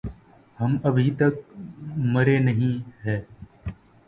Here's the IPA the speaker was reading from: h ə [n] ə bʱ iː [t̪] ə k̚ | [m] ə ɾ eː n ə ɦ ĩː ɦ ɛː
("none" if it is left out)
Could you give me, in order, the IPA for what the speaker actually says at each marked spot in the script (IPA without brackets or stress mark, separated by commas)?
m, t̪, m